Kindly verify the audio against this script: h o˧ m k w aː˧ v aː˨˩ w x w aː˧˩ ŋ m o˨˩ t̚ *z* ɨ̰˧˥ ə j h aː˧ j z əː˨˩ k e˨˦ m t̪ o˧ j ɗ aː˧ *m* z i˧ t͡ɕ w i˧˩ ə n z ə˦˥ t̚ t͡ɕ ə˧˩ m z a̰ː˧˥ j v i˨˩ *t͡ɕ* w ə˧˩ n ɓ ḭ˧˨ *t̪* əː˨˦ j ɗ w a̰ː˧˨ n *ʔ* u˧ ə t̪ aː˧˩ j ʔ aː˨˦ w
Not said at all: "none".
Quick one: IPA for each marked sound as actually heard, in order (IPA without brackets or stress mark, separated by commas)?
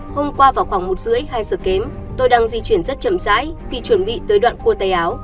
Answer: z, ŋ, t͡ɕ, t̪, k